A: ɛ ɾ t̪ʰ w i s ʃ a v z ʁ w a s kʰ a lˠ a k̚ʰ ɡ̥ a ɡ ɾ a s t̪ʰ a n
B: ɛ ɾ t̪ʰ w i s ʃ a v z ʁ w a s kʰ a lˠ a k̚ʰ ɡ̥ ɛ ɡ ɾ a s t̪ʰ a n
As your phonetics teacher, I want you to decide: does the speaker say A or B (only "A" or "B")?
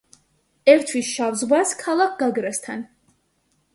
A